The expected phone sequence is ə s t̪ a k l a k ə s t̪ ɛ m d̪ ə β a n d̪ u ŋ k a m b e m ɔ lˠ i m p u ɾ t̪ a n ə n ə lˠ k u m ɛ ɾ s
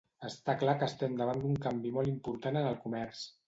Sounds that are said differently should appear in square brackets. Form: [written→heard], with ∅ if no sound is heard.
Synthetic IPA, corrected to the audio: ə s t̪ a k l a k ə s t̪ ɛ m d̪ ə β a n d̪ u ŋ k a m b [e→i] m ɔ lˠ i m p u ɾ t̪ a n ə n ə lˠ k u m ɛ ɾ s